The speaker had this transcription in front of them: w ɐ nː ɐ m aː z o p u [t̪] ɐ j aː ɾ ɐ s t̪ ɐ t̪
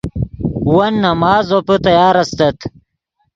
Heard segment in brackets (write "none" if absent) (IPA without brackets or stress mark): t̪